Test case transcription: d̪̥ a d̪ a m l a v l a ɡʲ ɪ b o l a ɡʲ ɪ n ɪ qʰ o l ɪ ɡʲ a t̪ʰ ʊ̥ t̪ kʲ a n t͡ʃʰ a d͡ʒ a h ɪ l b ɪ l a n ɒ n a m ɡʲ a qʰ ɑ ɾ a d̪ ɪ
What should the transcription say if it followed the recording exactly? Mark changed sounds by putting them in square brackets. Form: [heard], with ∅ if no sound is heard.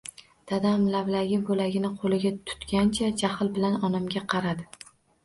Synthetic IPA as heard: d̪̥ a d̪ a m l a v l a ɡʲ ɪ b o l a ɡʲ ɪ n ɪ qʰ o l ɪ ɡʲ a t̪ʰ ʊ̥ t̪ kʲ a n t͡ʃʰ a d͡ʒ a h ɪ l b ɪ l a n ɒ n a m ɡʲ a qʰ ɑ ɾ a d̪ ɪ